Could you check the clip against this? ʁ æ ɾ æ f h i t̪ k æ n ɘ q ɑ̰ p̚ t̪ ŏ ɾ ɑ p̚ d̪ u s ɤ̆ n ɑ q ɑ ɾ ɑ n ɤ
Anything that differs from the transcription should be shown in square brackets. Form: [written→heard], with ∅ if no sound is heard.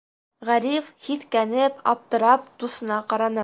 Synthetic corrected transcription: ʁ æ ɾ [æ→i] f h i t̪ k æ n ɘ [q→p] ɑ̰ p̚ t̪ [ŏ→ɤ̆] ɾ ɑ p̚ d̪ u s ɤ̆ n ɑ q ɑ ɾ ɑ n ɤ